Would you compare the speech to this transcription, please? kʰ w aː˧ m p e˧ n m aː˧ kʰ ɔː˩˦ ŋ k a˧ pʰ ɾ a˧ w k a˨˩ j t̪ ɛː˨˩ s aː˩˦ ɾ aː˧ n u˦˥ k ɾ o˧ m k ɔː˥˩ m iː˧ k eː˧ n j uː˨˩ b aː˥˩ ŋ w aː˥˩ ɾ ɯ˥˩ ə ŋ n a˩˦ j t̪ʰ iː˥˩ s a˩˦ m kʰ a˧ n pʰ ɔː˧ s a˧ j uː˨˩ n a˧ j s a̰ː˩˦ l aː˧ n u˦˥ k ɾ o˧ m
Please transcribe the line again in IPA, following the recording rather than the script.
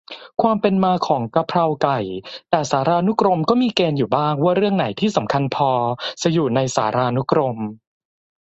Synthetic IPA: kʰ w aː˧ m p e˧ n m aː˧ kʰ ɔː˩˦ ŋ k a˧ pʰ ɾ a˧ w k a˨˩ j t̪ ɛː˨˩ s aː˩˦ ɾ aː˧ n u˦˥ k ɾ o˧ m k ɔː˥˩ m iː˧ k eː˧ n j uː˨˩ b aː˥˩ ŋ w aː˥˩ ɾ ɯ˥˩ ə ŋ n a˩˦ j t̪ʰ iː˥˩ s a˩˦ m kʰ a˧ n pʰ ɔː˧ s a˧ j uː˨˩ n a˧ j s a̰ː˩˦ ɾ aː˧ n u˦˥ k ɾ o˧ m